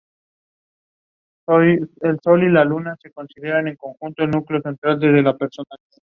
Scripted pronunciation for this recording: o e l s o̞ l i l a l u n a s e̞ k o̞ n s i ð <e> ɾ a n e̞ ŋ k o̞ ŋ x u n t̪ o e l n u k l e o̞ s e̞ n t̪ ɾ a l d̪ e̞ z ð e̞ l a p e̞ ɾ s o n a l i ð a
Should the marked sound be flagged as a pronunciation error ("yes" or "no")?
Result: no